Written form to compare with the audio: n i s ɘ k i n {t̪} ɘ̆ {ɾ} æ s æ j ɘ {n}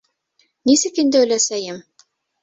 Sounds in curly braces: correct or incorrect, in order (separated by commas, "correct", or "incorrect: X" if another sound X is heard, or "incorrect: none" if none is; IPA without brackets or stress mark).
incorrect: d̪, incorrect: l, incorrect: m